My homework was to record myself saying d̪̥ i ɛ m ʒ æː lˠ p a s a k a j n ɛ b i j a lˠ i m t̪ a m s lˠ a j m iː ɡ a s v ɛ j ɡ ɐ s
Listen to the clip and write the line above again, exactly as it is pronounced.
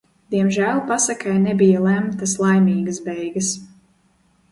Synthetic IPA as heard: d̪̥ i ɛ m ʒ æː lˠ p a s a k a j n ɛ b i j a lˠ æ m t̪ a s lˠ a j m iː ɡ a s b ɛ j ɡ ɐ s